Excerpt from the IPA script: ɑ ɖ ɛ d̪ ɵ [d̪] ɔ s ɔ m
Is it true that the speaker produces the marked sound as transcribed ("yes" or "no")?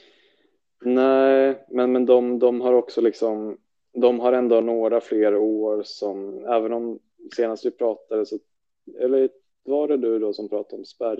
yes